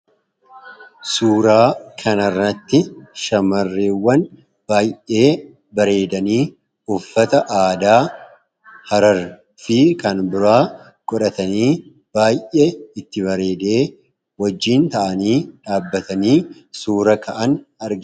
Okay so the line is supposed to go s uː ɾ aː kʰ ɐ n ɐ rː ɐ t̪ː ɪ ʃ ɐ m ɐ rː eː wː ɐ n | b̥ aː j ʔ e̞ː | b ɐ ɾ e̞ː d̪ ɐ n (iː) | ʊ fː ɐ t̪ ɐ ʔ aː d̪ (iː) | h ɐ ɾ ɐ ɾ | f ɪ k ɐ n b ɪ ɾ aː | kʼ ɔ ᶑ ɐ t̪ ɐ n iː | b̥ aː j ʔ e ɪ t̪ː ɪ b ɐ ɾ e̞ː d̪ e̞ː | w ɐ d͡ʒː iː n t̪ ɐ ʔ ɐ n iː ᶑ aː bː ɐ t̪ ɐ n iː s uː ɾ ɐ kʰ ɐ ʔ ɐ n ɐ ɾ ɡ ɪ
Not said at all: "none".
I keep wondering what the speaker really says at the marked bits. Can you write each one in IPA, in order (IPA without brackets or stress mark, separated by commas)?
iː, aː